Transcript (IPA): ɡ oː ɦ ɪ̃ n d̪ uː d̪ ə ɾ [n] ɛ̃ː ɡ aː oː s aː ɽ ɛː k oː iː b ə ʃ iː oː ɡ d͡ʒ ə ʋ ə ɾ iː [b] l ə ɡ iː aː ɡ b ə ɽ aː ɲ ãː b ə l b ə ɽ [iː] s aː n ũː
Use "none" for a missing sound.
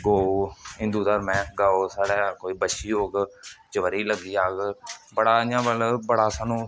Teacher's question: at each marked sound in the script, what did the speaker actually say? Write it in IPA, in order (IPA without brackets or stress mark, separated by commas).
m, none, aː